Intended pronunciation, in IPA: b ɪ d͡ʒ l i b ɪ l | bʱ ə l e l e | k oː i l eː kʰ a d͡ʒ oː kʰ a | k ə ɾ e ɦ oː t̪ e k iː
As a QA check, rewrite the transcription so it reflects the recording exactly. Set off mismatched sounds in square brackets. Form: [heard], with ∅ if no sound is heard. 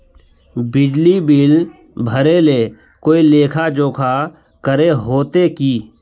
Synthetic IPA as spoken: b ɪ d͡ʒ l i b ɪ l | bʱ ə [ɾ] e l e | k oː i l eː kʰ a d͡ʒ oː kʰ a | k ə ɾ e ɦ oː t̪ e k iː